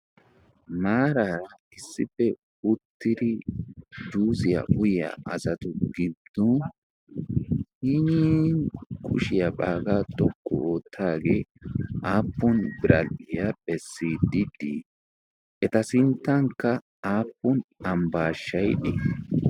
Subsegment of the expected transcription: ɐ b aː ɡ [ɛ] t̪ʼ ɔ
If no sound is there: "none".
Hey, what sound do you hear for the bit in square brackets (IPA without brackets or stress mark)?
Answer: a